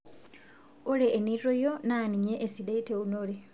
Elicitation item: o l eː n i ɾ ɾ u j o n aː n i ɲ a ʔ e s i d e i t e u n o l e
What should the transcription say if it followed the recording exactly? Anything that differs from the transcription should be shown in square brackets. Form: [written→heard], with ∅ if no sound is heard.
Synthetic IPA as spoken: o l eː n i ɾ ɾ [u→o] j o n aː n i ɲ [a→e] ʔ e s i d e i t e u n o l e